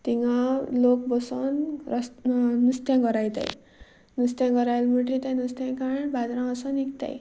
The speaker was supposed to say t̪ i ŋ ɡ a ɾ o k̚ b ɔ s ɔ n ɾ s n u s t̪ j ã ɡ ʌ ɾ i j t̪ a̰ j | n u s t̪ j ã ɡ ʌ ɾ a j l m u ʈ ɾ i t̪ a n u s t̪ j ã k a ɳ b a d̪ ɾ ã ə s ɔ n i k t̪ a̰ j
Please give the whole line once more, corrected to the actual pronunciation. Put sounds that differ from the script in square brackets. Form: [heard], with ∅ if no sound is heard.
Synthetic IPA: t̪ i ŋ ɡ a [l] o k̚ b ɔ s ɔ n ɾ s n u s t̪ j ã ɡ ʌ ɾ [a] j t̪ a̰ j | n u s t̪ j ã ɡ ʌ ɾ a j l m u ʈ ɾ i t̪ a n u s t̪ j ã k a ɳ b a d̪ ɾ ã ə s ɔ n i k t̪ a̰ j